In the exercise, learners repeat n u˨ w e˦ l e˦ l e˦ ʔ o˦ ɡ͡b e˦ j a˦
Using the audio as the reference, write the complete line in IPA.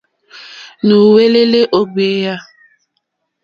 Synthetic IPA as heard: n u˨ w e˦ l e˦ l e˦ ʔ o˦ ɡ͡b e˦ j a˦